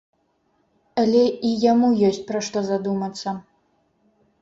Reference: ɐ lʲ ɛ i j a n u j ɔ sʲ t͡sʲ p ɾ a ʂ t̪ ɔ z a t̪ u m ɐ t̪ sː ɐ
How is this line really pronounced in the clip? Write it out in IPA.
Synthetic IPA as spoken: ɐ lʲ ɛ i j a m u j ɔ sʲ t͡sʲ p ɾ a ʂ t̪ ɔ z a d̪ u m ɐ t̪ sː ɐ